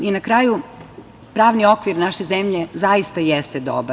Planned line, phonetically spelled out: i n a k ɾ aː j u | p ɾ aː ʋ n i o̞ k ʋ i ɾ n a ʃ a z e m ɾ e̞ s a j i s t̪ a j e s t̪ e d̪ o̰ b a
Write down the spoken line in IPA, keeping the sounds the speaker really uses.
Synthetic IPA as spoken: i n a k ɾ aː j u | p ɾ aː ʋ n i o̞ k ʋ i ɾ n a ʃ e z e m ʎ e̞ z a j i s t̪ a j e s t̪ e d̪ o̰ b a